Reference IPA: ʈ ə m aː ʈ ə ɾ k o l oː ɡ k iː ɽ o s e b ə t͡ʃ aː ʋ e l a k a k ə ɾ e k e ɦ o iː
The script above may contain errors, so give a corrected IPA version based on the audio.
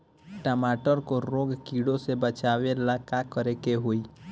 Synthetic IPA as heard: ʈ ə m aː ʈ ə ɾ k o ɾ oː ɡ k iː ɽ o s e b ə t͡ʃ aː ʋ e l a k a k ə ɾ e k e ɦ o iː